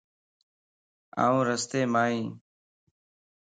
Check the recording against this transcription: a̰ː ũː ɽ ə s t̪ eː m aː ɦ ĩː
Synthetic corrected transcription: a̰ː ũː ɾ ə s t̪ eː m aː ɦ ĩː